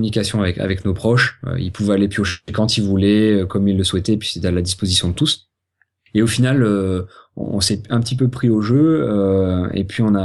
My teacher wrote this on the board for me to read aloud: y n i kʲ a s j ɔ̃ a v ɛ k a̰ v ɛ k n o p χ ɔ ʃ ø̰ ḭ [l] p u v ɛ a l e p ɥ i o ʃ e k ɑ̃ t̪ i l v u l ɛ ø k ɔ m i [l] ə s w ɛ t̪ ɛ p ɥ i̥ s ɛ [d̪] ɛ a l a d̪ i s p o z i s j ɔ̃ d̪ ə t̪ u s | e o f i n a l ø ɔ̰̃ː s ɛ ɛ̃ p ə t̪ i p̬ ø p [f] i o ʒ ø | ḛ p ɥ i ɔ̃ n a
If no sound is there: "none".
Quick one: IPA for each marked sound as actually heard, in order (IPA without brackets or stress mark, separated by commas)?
l, lː, t̪, χ